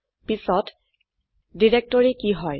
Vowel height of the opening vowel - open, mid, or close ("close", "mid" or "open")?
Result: close